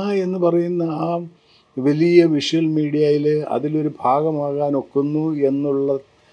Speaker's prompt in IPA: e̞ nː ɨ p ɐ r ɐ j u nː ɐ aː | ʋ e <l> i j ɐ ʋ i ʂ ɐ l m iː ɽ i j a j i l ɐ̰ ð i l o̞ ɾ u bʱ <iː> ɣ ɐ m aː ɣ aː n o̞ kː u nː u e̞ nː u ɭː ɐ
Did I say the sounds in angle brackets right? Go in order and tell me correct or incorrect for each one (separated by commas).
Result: correct, incorrect